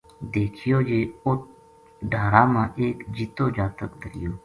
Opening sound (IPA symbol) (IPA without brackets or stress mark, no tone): d̪